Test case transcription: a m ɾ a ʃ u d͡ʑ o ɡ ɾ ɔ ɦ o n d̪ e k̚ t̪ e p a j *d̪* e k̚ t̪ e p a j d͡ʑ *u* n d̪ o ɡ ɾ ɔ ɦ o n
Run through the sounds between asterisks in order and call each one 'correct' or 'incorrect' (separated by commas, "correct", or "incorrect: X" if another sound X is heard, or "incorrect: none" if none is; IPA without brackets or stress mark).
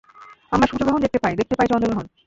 correct, incorrect: ɔ